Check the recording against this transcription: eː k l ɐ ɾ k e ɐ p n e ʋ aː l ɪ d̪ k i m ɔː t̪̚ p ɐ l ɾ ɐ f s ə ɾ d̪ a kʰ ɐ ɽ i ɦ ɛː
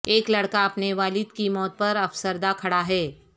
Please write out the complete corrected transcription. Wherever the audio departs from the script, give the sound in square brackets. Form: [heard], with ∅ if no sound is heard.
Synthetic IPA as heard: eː k l ɐ [ɽ] k [a] ɐ p n e ʋ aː l ɪ d̪ k i m ɔː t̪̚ p ɐ [∅] ɾ ɐ f s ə ɾ d̪ a kʰ ɐ ɽ [a] ɦ ɛː

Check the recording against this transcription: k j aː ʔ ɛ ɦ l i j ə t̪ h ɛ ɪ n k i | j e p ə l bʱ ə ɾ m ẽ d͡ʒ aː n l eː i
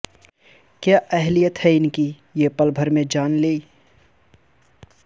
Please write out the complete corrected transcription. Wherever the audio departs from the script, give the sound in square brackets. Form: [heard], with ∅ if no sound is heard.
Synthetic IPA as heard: k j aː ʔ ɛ ɦ l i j ə t̪ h ɛ ɪ n k i | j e p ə l bʱ ə ɾ m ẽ d͡ʒ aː n l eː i

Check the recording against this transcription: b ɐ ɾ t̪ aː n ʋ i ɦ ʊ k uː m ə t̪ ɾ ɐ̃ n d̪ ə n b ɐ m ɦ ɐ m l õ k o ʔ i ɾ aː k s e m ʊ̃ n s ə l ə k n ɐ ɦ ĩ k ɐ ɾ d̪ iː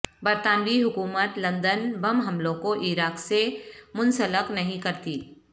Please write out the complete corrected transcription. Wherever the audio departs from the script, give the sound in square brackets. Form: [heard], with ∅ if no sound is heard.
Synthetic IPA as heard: b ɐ ɾ t̪ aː n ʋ i ɦ ʊ k uː m ə t̪ [l] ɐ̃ n d̪ ə n b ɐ m ɦ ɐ m l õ k o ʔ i ɾ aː k s e m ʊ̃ n s ə l ə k n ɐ ɦ ĩ k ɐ ɾ [t̪] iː

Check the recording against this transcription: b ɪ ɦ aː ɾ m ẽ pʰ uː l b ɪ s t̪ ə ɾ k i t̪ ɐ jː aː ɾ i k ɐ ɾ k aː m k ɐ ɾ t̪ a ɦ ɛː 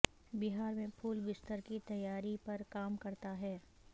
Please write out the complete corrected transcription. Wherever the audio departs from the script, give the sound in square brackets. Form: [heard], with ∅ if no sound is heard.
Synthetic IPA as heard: b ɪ ɦ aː ɾ m ẽ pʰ uː l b ɪ s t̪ ə ɾ k i t̪ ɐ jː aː ɾ i [p] ɐ ɾ k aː m k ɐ ɾ t̪ a ɦ ɛː

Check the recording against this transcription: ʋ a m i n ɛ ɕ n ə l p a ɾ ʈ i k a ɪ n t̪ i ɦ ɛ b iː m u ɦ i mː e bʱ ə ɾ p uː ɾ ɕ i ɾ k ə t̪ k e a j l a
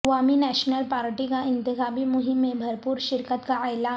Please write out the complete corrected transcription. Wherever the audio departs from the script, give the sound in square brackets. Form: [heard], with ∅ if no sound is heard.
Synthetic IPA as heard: ʋ a m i n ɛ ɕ n ə l p a ɾ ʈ i k a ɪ n t̪ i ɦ [a] b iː m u ɦ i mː e bʱ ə ɾ p uː ɾ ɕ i ɾ k ə t̪ k [a] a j l a

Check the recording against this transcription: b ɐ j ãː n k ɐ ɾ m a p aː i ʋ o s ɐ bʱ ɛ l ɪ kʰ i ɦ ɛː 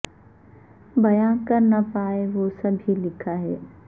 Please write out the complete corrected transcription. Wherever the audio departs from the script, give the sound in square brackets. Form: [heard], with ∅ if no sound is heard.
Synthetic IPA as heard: b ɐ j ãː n k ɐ ɾ [n] a p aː [e] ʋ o s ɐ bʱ [i] l ɪ kʰ [a] ɦ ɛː

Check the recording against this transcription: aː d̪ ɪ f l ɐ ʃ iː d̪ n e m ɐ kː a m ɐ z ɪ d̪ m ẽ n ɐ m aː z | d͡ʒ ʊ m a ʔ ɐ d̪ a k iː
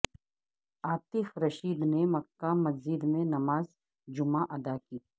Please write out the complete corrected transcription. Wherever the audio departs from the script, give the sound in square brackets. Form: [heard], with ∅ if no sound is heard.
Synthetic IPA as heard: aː [t̪] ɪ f [ɾ] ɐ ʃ iː d̪ n e m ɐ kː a m ɐ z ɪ d̪ m ẽ n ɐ m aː z | d͡ʒ ʊ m a ʔ ɐ d̪ a k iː

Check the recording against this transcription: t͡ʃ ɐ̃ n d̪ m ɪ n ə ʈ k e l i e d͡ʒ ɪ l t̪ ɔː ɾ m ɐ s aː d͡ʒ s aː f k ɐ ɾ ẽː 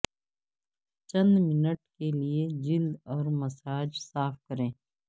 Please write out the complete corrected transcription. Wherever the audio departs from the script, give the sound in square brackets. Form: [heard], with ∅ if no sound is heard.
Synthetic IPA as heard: t͡ʃ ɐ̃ n d̪ m ɪ n ə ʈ k e l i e d͡ʒ ɪ l [d̪] ɔː ɾ m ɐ s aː d͡ʒ s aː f k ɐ ɾ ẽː

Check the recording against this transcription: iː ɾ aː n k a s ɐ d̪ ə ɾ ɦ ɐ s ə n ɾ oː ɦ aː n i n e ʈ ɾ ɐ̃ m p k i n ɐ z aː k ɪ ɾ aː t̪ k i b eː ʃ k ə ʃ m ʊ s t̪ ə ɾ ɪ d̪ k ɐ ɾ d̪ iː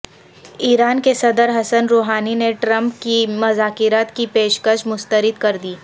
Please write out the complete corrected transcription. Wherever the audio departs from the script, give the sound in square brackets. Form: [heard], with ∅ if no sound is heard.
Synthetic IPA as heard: iː ɾ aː n k [e] s ɐ d̪ ə ɾ ɦ ɐ s ə n ɾ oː ɦ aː n i n e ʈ ɾ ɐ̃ m p k i [m] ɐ z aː k ɪ ɾ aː t̪ k i [p] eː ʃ k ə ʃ m ʊ s t̪ ə ɾ ɪ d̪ k ɐ ɾ d̪ iː

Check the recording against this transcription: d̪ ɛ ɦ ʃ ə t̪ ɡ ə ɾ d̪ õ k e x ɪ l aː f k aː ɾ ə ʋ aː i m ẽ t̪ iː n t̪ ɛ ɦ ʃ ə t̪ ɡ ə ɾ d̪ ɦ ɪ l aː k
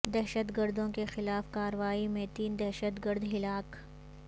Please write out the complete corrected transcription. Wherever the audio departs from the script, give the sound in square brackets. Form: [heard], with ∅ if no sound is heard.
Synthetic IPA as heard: d̪ ɛ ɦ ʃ ə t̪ ɡ ə ɾ d̪ õ k e x ɪ l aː f k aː ɾ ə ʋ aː i m ẽ t̪ iː n [d̪] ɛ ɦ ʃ ə t̪ ɡ ə ɾ d̪ ɦ ɪ l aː k

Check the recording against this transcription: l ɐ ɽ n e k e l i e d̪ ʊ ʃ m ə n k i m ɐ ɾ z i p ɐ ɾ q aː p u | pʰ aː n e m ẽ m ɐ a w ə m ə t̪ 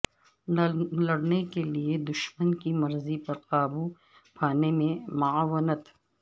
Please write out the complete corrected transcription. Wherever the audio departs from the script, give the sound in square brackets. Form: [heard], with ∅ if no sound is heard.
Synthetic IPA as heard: l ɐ ɽ n e k e l i e d̪ ʊ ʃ m ə n k i m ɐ ɾ z i p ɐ ɾ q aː [b] u | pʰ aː n e m ẽ m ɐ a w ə [n] ə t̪

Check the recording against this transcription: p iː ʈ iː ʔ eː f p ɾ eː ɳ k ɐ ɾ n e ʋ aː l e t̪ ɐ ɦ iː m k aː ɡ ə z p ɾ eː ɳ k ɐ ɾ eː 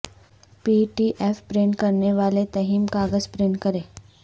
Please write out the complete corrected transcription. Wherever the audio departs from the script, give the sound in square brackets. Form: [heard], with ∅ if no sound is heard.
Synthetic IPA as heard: p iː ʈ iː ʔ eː f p ɾ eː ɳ k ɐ ɾ n e ʋ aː l e t̪ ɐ ɦ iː m k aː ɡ ə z p ɾ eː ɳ k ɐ ɾ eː

